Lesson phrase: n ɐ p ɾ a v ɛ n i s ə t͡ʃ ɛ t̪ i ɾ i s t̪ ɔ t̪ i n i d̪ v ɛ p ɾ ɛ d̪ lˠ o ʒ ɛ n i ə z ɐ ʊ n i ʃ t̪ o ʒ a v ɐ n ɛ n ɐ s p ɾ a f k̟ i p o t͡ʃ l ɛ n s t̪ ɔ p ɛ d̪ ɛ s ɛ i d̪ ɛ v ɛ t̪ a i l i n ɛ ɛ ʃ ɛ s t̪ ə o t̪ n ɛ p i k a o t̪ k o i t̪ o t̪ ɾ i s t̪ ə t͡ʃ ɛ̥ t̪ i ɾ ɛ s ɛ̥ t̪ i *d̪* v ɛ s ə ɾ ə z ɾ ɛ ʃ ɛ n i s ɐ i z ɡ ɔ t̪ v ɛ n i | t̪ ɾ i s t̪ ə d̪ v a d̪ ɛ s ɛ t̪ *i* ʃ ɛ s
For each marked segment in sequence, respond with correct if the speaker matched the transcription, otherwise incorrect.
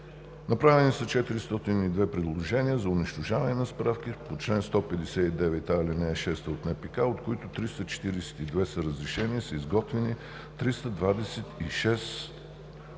correct, correct

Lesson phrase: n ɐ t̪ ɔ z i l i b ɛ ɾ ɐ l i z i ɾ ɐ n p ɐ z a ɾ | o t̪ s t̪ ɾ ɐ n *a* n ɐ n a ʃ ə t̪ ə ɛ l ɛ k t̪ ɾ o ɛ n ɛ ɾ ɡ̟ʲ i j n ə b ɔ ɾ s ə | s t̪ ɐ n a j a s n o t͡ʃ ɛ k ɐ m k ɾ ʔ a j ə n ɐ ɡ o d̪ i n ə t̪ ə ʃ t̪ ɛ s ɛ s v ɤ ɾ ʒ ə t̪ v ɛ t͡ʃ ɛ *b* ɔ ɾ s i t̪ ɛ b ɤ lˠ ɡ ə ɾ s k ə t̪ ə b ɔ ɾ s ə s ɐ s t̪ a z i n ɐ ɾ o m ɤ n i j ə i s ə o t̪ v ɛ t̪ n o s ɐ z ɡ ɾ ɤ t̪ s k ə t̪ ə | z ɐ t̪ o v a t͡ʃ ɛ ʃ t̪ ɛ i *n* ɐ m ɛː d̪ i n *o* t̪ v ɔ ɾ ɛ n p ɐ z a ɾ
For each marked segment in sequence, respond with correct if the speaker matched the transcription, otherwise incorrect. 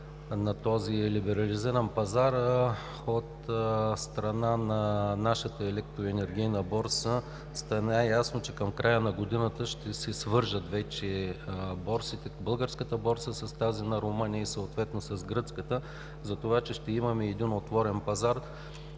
correct, correct, incorrect: m, correct

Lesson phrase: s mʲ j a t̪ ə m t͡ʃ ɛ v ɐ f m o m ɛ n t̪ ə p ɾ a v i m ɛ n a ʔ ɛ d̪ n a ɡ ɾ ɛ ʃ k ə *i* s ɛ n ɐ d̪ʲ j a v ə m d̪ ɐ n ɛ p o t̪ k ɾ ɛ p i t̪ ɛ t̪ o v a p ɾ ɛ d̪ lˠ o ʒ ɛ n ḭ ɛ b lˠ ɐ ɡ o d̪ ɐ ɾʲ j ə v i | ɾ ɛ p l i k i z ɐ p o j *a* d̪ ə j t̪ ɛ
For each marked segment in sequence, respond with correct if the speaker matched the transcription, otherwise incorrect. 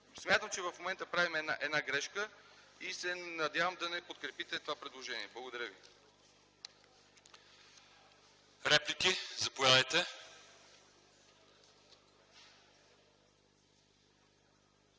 correct, correct

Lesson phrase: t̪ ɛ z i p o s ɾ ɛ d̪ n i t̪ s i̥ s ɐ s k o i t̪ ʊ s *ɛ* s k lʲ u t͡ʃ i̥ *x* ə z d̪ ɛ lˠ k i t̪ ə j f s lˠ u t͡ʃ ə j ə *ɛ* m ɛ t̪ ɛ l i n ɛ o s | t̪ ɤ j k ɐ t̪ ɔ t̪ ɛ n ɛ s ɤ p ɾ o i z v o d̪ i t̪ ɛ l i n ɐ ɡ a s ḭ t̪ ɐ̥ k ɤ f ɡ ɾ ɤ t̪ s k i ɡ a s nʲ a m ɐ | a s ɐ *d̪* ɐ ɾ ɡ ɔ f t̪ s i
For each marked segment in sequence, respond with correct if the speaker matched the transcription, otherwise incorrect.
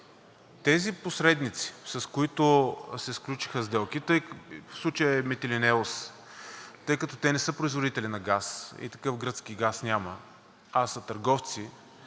correct, correct, correct, incorrect: t̪

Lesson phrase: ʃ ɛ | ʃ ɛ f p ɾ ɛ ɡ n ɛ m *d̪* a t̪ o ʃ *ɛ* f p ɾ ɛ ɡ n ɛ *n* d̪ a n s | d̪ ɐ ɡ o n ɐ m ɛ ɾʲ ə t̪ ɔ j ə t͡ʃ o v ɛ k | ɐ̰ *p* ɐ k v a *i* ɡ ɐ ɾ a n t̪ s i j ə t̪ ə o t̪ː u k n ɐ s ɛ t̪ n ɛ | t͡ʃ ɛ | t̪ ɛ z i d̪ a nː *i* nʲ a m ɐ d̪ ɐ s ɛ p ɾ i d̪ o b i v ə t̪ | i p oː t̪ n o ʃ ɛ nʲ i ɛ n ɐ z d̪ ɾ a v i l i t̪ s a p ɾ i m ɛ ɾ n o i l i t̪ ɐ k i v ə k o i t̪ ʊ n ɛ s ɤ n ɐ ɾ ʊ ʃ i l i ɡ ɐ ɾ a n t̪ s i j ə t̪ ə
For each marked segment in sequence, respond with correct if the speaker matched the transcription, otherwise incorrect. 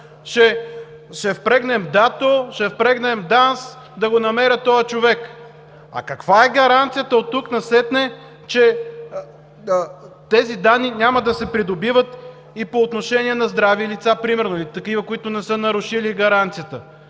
correct, correct, incorrect: m, incorrect: k, incorrect: ɛ, correct

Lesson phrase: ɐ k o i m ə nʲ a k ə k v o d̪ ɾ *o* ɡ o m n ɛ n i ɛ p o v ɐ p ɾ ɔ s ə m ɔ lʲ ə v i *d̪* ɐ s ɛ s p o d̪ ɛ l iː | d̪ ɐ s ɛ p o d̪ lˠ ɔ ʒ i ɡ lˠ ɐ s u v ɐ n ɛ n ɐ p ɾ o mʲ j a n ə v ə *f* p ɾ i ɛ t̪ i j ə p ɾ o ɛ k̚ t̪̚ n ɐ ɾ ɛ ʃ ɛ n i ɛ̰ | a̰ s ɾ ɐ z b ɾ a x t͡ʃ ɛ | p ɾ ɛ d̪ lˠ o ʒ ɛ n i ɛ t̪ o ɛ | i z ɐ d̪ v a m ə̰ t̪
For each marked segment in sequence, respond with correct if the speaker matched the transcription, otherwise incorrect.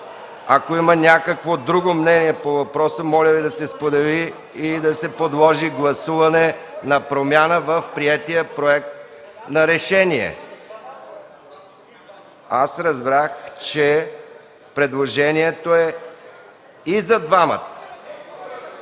incorrect: u, correct, correct

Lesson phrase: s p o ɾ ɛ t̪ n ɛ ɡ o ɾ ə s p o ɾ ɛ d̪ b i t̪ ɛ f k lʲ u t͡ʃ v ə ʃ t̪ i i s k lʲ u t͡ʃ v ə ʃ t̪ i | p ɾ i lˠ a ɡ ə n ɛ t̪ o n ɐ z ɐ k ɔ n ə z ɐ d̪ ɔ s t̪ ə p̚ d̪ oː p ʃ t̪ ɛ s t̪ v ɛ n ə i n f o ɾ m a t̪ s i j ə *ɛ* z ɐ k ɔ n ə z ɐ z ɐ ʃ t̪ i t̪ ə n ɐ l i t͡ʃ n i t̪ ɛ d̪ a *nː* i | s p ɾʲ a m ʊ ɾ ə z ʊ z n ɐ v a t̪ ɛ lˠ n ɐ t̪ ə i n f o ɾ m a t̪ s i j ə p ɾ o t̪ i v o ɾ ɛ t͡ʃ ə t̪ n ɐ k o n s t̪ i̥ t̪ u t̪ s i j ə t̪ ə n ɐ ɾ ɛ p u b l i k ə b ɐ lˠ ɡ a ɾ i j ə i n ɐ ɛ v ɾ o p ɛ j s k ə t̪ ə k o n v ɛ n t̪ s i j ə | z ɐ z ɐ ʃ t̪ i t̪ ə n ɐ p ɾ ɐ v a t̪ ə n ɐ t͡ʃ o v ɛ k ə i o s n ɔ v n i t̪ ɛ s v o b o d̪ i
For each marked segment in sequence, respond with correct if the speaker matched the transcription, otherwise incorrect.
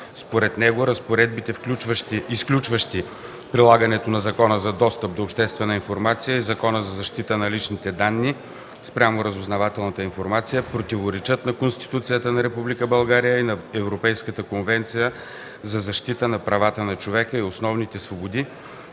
incorrect: i, correct

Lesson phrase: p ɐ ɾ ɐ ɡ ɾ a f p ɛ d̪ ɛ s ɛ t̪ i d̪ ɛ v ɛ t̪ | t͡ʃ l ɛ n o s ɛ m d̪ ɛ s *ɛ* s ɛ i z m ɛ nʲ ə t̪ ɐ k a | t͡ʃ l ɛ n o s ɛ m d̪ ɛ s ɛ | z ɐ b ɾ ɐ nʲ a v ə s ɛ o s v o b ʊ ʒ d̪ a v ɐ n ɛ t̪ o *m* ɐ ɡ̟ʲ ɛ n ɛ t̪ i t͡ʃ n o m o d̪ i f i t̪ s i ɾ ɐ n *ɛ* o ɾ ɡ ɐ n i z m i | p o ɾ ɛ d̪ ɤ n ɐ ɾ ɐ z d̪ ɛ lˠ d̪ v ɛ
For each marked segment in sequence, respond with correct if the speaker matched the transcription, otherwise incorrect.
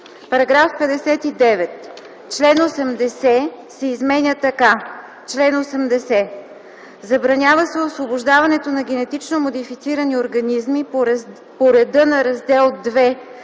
correct, incorrect: n, incorrect: i

